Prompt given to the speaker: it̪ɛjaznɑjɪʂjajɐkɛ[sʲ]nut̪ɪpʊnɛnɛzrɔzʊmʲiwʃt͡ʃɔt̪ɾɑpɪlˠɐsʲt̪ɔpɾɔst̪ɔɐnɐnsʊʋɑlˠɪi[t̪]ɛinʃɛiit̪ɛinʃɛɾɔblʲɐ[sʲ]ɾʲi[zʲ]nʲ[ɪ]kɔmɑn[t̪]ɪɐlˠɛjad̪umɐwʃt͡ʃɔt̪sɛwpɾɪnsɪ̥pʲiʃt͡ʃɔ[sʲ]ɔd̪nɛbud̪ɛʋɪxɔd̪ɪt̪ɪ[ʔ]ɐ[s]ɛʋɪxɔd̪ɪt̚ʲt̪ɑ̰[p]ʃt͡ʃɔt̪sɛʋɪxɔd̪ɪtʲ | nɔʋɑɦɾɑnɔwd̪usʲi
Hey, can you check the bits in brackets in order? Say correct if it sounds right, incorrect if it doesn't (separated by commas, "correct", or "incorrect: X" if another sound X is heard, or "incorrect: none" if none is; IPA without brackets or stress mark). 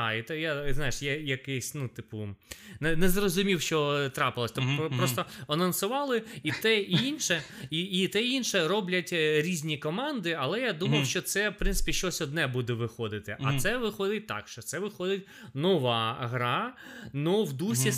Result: correct, correct, incorrect: tʲ, correct, incorrect: i, incorrect: d̪, correct, correct, correct, incorrect: k